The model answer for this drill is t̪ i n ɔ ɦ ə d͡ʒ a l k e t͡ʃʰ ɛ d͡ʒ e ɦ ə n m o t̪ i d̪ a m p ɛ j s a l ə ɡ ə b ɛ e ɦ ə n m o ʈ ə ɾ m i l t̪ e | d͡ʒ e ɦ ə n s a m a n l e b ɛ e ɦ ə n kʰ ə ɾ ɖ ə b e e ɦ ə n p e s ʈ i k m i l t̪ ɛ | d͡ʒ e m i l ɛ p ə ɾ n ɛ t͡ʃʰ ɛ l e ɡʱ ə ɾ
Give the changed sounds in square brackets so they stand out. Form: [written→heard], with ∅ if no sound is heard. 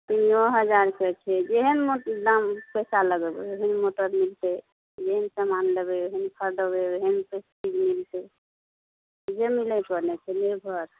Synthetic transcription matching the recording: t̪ i n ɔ ɦ ə d͡ʒ a [l→ɾ] k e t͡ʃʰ ɛ d͡ʒ e ɦ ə n m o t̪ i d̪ a m p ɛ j s a l ə ɡ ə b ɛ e ɦ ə n m o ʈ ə ɾ m i l t̪ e | d͡ʒ e ɦ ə n s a m a n l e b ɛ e ɦ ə n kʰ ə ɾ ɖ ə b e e ɦ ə n p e s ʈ i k m i l t̪ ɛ | d͡ʒ e m i l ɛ p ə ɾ n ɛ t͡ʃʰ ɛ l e [ɡʱ→bʱ] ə ɾ